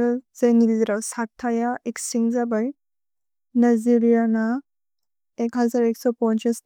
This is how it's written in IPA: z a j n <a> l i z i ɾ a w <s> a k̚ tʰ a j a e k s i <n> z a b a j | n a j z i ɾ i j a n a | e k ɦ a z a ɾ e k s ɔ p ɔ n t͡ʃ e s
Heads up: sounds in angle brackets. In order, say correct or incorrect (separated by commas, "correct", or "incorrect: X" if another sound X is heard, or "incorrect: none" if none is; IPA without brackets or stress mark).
incorrect: i, correct, incorrect: ŋ